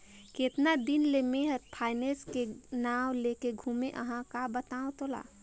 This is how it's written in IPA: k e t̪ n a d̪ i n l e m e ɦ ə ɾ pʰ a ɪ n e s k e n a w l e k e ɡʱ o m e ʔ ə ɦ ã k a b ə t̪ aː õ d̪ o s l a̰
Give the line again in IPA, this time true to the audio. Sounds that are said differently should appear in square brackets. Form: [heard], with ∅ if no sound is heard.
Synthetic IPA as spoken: k e t̪ n a d̪ i n l e m e ɦ ə ɾ pʰ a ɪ n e s k e n a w l e k e ɡʱ [u] m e ʔ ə ɦ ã k a b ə t̪ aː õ [t̪] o [∅] l a̰